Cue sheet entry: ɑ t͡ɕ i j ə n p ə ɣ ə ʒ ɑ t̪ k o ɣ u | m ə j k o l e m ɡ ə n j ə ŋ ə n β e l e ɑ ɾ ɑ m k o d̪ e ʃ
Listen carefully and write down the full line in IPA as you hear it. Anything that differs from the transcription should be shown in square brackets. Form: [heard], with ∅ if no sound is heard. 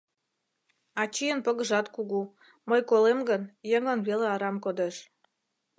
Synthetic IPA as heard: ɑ t͡ɕ i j ə n p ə ɣ ə ʒ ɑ t̪ k [u] ɣ u | m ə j k o l e m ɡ ə n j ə ŋ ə n β e l e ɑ ɾ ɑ m k o d̪ e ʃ